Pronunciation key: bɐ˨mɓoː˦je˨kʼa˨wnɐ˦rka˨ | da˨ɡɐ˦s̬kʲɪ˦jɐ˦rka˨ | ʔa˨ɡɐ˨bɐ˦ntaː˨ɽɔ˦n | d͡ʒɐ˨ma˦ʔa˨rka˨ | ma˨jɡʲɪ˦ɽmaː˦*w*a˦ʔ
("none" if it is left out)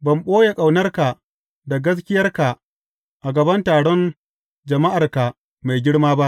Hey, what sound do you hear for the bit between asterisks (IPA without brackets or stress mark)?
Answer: b